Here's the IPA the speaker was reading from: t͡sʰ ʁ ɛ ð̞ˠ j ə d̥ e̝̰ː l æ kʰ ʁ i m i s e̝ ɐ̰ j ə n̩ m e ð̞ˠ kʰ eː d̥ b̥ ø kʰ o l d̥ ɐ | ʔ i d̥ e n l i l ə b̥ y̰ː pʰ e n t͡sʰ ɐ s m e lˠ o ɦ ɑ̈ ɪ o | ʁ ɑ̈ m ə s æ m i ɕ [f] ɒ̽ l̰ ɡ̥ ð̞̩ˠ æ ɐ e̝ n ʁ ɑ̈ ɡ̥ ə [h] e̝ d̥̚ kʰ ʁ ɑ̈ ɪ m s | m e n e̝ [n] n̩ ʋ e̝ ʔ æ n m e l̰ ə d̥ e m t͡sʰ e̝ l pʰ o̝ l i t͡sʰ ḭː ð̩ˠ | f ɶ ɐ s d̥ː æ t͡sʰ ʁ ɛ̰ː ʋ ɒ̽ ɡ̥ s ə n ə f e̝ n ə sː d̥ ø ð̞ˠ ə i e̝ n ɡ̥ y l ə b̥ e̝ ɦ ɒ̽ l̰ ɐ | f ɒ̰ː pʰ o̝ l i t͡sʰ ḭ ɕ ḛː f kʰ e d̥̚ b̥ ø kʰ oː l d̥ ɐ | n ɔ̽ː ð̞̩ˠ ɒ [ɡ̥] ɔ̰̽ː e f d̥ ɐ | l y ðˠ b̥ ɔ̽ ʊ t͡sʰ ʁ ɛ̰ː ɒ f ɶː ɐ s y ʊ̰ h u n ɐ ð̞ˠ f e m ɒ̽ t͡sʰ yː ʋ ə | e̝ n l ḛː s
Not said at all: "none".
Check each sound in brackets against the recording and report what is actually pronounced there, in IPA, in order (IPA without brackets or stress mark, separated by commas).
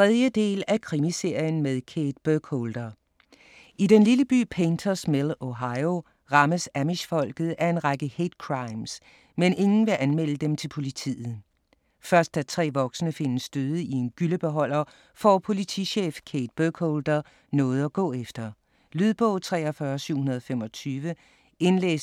f, h, ŋ, ɡ̥